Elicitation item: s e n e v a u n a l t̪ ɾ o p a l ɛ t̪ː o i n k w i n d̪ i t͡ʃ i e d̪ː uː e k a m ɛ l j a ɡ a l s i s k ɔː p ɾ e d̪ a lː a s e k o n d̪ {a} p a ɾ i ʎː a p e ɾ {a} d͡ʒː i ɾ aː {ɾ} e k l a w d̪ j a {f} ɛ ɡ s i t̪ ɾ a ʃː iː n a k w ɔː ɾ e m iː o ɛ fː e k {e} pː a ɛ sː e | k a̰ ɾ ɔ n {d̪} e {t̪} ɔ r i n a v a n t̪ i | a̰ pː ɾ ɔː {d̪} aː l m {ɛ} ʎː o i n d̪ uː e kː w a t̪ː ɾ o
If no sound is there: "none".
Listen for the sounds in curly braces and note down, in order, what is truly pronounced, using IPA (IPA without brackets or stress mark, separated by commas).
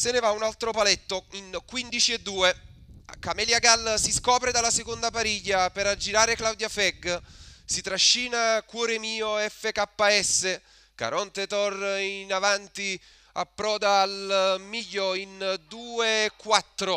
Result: a, a, ɾ, f, a, t̪, t̪, d̪, i